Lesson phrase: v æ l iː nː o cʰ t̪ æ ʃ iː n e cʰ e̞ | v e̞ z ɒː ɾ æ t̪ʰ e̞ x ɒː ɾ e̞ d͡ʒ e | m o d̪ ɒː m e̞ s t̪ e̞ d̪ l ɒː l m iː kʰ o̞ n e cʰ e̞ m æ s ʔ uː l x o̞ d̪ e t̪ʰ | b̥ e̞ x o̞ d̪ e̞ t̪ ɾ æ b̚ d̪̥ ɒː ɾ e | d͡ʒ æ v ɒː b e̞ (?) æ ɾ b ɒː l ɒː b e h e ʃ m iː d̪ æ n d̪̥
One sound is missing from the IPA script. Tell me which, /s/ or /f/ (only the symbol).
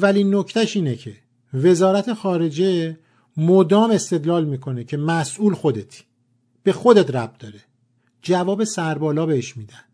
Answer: s